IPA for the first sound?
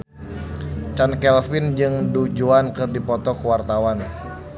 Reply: t͡ʃ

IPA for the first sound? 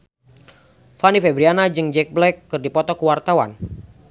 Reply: f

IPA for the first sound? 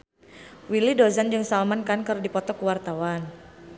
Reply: w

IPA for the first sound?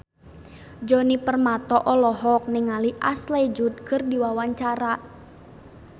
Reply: d͡ʒ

